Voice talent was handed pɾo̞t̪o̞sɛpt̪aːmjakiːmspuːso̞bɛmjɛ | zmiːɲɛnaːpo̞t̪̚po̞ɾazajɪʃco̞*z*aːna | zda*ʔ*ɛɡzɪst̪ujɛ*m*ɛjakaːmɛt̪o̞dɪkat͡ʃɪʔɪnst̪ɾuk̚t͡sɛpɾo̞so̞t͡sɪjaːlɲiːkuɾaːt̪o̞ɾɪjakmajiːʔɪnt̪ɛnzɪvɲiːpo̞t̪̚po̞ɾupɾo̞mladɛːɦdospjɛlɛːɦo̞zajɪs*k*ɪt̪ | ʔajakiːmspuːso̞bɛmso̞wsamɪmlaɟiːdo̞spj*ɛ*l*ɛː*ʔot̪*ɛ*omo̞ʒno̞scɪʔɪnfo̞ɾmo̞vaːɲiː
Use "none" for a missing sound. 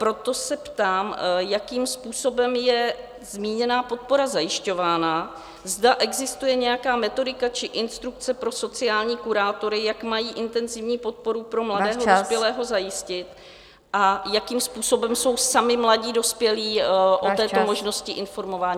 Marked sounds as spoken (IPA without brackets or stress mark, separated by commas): v, ʔ, ɲ, c, ɛ, iː, ɛː